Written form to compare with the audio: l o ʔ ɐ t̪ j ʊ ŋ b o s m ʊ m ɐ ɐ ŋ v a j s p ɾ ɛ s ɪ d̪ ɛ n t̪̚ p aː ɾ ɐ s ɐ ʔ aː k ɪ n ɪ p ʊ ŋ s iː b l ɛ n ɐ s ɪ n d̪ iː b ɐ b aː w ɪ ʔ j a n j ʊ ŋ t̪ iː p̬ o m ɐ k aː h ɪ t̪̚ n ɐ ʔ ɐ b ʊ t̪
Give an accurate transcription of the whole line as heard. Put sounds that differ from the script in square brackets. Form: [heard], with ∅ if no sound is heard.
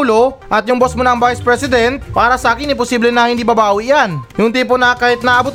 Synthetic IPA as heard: l o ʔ ɐ t̪ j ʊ ŋ b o s m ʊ [n] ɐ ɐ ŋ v a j s p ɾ ɛ s ɪ d̪ ɛ n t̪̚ p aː ɾ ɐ s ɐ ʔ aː k ɪ n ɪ p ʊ [∅] s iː b l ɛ n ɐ [h] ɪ n d̪ iː b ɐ b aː w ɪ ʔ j a n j ʊ ŋ t̪ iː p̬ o [n] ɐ k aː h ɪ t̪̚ n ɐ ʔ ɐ b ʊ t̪